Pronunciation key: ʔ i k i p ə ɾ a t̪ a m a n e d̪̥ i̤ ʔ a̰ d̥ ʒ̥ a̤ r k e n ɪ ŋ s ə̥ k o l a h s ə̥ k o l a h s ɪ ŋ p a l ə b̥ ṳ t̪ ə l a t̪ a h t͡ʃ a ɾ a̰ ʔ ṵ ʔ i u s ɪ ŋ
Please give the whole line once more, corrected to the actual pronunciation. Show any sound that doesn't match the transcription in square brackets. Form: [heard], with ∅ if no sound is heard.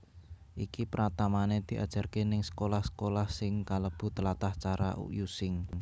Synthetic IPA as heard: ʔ i k i p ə ɾ a t̪ a m a n e d̪̥ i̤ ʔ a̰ d̥ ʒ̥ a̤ r k e n ɪ ŋ s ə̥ k o l a h s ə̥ k o l a h s ɪ ŋ [k] a l ə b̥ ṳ t̪ ə l a t̪ a h t͡ʃ a ɾ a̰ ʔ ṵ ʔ [j] u s ɪ ŋ